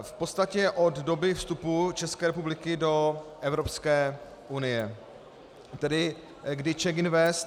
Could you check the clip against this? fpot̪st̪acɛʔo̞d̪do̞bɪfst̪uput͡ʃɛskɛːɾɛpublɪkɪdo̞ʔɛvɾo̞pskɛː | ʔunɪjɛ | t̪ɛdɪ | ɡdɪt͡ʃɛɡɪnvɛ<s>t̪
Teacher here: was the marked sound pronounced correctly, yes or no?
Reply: yes